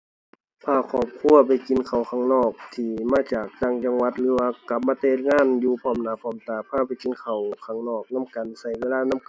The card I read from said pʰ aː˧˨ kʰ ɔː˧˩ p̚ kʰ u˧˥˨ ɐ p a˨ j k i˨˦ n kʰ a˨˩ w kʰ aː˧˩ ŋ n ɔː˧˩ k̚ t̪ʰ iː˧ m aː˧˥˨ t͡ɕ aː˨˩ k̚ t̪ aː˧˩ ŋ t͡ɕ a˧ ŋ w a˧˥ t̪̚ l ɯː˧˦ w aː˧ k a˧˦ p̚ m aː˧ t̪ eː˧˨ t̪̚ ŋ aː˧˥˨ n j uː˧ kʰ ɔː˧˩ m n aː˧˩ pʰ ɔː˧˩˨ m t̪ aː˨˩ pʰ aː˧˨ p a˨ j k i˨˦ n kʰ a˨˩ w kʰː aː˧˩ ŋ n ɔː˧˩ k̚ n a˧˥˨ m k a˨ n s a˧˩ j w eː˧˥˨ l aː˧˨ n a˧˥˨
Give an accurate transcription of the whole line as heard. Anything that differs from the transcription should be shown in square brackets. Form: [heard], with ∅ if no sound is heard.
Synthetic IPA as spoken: pʰ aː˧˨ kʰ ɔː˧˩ p̚ kʰ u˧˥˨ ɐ p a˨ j k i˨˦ n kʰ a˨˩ w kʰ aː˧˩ ŋ n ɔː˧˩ k̚ t̪ʰ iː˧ m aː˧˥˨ t͡ɕ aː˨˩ k̚ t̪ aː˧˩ ŋ t͡ɕ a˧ ŋ w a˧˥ t̪̚ l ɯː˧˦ w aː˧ k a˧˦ p̚ m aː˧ t̪ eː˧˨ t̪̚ ŋ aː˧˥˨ n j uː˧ [pʰ] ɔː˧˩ m n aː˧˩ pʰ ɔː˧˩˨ m t̪ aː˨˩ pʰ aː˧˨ p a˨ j k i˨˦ n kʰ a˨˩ w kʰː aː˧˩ ŋ n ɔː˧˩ k̚ n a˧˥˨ m k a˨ n s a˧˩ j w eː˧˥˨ l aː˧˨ n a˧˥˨